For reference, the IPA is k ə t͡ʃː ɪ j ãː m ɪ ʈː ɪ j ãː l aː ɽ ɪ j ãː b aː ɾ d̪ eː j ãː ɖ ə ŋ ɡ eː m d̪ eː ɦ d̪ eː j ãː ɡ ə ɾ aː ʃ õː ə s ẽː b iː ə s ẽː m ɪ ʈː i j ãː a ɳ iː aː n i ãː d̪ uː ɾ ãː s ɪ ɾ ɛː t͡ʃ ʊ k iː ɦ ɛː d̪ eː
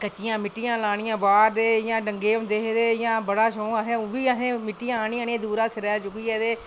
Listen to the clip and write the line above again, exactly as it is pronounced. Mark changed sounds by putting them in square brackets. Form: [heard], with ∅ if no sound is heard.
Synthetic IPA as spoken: k ə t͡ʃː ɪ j ãː m ɪ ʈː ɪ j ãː l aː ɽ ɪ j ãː b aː ɾ d̪ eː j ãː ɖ ə ŋ ɡ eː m d̪ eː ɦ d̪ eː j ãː [b] ə [ɽ] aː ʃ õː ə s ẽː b iː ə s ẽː m ɪ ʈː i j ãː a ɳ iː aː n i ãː d̪ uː ɾ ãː s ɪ ɾ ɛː t͡ʃ ʊ k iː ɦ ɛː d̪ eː